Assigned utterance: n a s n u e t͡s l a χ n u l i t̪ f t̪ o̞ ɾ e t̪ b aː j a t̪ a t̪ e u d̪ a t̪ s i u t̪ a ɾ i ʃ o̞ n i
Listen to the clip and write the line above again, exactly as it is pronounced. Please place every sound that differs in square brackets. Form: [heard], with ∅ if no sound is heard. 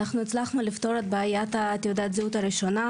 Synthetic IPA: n a [χ] n u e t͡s l a χ n u l i [∅] f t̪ o̞ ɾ e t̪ b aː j a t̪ a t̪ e u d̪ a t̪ [z] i u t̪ a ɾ i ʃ o̞ n [a]